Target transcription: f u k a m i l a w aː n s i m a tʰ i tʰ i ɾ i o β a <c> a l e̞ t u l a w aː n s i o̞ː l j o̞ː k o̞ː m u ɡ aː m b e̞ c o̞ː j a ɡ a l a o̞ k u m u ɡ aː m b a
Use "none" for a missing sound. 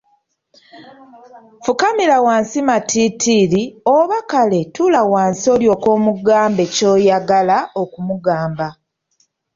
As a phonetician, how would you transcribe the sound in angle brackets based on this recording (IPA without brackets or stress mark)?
k